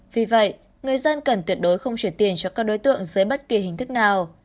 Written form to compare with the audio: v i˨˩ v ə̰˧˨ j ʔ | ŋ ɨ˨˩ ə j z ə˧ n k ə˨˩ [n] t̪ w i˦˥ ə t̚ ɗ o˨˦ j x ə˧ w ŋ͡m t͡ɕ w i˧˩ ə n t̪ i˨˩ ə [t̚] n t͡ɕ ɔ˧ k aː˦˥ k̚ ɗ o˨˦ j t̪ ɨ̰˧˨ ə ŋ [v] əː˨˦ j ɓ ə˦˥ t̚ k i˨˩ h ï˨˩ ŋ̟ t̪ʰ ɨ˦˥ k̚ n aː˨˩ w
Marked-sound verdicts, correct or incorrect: correct, incorrect: none, incorrect: z

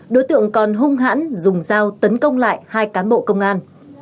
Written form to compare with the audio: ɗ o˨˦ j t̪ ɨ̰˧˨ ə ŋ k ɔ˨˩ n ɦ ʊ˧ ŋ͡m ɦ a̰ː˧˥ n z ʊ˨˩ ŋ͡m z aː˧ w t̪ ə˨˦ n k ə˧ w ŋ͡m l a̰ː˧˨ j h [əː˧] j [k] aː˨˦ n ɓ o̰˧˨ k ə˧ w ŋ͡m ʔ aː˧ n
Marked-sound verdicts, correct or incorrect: incorrect: aː˧, correct

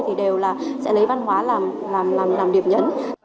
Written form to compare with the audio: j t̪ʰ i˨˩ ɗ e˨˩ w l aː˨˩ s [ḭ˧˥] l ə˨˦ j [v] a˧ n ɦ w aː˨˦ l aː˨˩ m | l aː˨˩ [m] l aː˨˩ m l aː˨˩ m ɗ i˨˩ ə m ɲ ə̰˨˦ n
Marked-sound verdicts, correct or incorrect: incorrect: ɛ̰˧˥, correct, correct

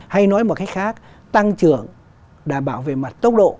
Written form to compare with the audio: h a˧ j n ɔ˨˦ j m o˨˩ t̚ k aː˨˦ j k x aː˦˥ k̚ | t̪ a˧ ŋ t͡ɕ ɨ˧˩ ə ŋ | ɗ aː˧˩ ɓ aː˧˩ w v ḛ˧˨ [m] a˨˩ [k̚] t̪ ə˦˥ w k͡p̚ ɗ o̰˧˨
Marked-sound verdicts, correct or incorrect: correct, incorrect: t̚

